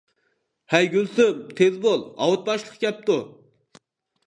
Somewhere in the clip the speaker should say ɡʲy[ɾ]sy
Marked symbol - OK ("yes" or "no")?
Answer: no